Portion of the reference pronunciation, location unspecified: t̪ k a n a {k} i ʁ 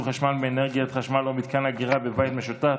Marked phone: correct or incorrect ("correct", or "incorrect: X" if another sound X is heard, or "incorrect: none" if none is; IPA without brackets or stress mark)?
incorrect: ɡ